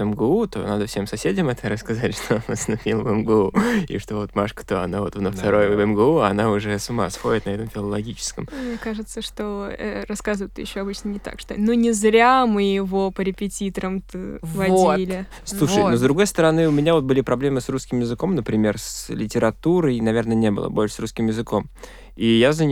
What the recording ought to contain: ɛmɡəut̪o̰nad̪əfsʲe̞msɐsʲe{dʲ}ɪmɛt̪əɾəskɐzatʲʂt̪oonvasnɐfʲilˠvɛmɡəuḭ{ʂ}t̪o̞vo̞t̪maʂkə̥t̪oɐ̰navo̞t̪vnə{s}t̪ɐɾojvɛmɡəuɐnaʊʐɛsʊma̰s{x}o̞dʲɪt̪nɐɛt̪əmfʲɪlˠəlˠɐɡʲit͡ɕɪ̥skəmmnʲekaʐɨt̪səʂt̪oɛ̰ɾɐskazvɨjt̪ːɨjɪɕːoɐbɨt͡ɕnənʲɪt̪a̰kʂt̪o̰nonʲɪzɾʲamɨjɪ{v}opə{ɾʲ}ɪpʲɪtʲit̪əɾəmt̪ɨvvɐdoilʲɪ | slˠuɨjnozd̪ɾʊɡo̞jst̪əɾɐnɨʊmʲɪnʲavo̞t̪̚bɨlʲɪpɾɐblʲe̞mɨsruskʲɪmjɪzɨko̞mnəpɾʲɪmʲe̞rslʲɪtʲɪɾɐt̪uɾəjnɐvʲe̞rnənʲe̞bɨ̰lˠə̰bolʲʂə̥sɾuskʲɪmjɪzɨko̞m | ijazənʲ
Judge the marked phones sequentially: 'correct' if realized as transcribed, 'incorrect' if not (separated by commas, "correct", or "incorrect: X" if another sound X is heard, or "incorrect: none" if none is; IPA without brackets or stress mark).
correct, correct, incorrect: f, correct, correct, correct